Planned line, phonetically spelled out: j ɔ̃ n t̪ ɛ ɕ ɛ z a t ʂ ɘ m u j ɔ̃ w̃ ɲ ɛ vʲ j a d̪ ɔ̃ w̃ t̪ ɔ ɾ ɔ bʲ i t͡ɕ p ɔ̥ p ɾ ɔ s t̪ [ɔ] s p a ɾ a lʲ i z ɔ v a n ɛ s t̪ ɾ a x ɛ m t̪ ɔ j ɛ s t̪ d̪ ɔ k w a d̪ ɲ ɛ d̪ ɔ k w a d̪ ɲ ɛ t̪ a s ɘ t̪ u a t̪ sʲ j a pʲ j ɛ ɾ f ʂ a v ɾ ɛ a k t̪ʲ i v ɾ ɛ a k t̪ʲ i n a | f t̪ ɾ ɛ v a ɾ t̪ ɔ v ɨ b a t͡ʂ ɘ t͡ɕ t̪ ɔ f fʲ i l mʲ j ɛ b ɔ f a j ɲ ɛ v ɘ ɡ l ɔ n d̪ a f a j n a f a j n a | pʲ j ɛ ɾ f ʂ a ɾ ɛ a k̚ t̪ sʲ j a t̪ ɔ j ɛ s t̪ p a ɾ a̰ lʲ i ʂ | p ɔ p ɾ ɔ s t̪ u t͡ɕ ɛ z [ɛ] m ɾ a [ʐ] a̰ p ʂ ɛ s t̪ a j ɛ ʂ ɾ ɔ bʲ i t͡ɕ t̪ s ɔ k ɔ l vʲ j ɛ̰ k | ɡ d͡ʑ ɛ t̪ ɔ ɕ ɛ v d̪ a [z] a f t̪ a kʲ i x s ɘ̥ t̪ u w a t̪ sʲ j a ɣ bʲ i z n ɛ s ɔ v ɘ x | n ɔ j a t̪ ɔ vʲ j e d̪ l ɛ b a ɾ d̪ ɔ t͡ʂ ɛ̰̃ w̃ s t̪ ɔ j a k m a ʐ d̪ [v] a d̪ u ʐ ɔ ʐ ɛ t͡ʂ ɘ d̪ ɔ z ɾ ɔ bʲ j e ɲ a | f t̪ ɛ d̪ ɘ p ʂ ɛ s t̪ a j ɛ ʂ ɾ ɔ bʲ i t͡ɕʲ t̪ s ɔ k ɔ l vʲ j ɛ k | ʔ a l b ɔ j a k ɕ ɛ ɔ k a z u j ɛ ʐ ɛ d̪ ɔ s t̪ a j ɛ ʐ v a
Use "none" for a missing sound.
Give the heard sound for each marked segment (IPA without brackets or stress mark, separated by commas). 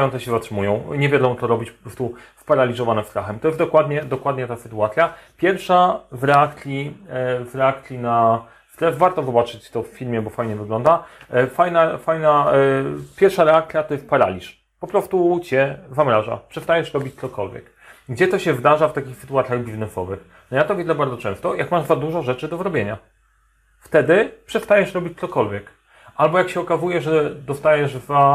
u, a, ʐ, ʐ, z